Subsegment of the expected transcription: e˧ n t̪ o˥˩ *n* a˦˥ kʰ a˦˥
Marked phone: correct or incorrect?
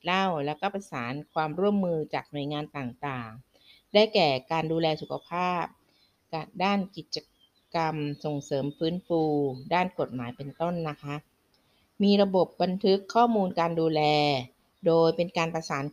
incorrect